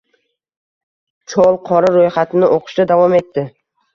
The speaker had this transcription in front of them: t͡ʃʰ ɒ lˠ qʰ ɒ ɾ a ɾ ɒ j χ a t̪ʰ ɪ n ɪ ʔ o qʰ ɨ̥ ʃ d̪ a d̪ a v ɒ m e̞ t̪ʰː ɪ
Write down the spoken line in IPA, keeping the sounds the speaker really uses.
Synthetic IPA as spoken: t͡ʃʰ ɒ lˠ qʰ ɒ ɾ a ɾ o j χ a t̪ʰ ɪ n ɪ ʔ o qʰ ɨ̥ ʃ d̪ a d̪ a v ɒ m e̞ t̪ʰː ɪ